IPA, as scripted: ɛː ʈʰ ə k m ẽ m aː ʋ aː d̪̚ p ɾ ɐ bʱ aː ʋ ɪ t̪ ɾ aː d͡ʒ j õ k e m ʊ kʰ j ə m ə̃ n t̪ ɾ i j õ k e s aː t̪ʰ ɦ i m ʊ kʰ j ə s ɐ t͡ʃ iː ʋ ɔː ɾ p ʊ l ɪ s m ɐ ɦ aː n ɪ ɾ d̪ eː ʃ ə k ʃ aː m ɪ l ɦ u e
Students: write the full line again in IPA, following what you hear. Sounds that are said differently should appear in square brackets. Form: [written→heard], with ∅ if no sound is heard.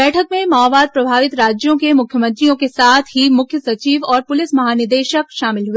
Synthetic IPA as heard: ɛː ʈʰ ə k m ẽ m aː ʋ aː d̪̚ p ɾ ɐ bʱ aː ʋ ɪ t̪ ɾ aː d͡ʒ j õ k e m ʊ kʰ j ə m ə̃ n t̪ ɾ i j õ k e s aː t̪ʰ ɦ i m ʊ kʰ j ə s ɐ t͡ʃ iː ʋ ɔː ɾ p ʊ l ɪ s m ɐ ɦ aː n ɪ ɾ d̪ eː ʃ ə k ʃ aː m ɪ l ɦ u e